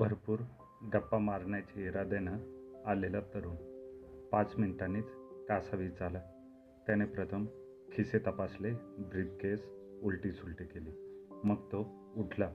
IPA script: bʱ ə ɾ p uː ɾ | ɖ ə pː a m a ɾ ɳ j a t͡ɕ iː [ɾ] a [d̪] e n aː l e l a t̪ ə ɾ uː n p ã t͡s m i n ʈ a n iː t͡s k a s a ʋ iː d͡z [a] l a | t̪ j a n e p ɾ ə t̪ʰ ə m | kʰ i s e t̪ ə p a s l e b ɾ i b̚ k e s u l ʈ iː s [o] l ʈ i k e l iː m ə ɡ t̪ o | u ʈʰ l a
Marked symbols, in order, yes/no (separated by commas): yes, yes, yes, no